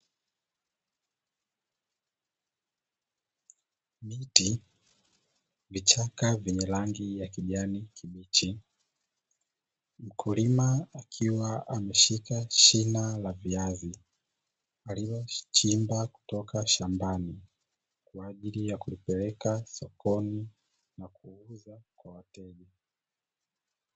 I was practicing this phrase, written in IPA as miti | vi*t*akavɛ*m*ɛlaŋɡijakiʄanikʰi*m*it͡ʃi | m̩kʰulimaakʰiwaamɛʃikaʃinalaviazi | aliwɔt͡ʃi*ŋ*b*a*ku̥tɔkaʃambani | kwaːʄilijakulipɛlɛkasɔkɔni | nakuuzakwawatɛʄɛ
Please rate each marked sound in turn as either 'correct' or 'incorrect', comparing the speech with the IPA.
incorrect, incorrect, correct, incorrect, correct

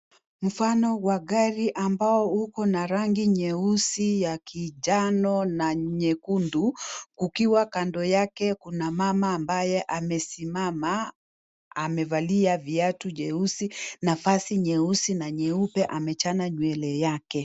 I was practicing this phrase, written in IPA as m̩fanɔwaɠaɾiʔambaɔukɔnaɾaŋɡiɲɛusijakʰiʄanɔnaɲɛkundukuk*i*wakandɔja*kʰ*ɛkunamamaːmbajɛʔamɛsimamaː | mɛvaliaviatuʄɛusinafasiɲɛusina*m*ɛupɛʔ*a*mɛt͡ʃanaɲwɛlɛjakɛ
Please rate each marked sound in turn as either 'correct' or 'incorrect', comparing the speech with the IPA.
correct, incorrect, incorrect, correct

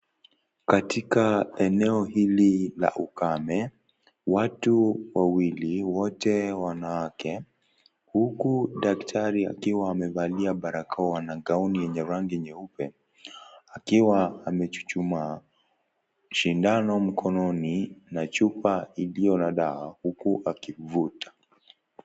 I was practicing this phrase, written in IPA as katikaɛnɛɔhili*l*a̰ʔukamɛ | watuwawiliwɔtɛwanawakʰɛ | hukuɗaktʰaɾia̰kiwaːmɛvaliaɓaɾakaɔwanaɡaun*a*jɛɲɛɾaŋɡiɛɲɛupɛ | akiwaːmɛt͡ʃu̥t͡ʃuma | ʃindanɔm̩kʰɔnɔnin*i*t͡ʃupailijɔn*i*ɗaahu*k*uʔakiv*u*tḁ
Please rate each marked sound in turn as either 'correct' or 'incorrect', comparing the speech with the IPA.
correct, incorrect, incorrect, incorrect, correct, correct

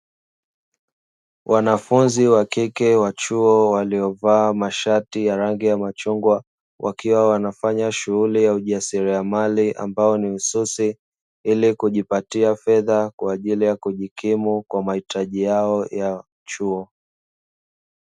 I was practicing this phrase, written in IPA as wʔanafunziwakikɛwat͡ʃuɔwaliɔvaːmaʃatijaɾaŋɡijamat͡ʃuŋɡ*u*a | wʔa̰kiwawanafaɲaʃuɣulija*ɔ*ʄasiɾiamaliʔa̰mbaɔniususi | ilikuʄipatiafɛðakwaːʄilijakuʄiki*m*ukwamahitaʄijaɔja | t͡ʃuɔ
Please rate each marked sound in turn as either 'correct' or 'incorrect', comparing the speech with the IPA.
incorrect, incorrect, correct

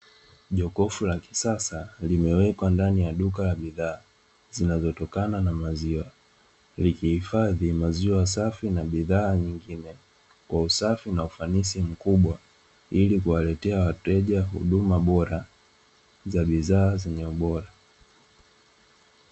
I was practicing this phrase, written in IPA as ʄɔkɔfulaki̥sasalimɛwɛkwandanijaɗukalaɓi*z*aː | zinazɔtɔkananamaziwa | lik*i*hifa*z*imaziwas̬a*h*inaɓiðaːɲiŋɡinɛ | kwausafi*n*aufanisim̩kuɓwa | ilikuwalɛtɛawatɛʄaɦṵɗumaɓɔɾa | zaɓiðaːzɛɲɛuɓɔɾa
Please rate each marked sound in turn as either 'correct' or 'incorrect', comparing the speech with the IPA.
incorrect, correct, incorrect, incorrect, correct

